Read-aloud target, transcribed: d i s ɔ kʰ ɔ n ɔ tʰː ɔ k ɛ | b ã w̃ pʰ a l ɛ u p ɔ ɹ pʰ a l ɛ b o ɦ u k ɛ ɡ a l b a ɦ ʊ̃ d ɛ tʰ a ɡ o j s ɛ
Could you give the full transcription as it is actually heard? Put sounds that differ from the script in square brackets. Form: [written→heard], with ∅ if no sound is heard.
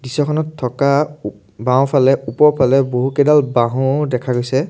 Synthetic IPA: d i s ɔ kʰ ɔ n ɔ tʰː ɔ k [ɛ→a] | b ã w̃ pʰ a l ɛ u p ɔ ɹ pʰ a l ɛ b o ɦ u k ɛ [ɡ→d] a l b a ɦ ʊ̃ d ɛ [tʰ→kʰ] a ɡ o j s ɛ